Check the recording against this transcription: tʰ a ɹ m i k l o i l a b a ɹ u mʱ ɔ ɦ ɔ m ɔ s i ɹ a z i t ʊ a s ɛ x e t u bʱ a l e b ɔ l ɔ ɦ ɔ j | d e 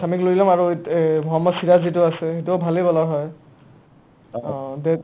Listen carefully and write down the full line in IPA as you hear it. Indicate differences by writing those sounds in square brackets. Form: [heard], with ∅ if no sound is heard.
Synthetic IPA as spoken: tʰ a [∅] m i k l o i l a [m] a ɹ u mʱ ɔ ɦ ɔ m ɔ s i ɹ a z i t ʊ a s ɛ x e t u bʱ a l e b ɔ l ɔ ɦ ɔ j | d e